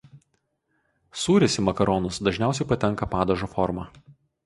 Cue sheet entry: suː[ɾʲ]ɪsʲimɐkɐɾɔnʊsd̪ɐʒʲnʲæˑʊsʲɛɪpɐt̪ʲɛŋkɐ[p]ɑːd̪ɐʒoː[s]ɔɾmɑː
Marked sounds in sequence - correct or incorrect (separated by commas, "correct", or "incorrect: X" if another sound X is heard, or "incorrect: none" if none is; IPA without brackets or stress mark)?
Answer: correct, correct, incorrect: f